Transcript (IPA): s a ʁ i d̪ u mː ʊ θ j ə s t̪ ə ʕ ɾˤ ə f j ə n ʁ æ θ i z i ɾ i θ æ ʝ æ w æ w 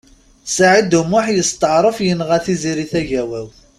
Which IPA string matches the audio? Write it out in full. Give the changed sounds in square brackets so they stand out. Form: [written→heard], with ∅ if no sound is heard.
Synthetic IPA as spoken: s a [ʁ→ʕ] i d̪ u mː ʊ [θ→ħ] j ə s t̪ ə ʕ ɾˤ ə f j ə n ʁ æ θ i z i ɾ i θ æ ʝ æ w æ w